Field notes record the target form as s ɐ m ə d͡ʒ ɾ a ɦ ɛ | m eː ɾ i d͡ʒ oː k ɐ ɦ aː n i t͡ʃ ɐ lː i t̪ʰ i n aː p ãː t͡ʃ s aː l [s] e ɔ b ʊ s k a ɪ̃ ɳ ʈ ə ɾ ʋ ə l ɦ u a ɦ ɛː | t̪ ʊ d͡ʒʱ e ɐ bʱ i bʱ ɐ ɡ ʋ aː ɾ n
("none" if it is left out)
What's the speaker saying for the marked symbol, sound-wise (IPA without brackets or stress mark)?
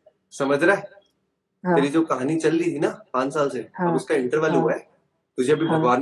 s